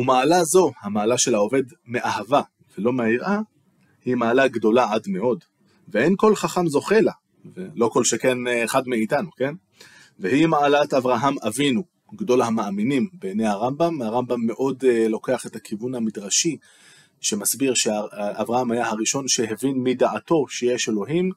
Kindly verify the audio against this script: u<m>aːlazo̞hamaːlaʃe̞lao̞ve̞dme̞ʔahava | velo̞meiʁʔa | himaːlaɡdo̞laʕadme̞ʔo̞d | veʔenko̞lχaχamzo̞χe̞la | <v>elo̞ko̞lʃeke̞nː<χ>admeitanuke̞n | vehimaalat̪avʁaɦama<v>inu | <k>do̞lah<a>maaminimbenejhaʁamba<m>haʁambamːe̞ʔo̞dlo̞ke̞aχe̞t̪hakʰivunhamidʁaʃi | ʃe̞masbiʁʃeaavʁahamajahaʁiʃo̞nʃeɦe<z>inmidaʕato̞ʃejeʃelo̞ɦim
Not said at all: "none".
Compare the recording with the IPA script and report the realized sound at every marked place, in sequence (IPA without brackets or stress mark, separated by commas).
m, v, χ, v, ɡ, a, m, v